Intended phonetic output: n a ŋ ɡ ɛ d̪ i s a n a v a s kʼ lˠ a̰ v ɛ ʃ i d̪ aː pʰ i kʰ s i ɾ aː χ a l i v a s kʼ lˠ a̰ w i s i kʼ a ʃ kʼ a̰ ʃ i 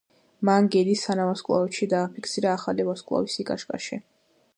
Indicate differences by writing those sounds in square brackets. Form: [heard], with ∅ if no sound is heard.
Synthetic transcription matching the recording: [m] a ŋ ɡ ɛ d̪ i s a n a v a s kʼ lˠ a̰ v ɛ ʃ i d̪ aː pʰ i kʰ s i ɾ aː χ a l i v a s kʼ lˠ a̰ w i s i kʼ a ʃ kʼ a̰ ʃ i